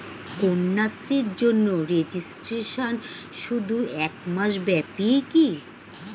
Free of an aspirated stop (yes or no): yes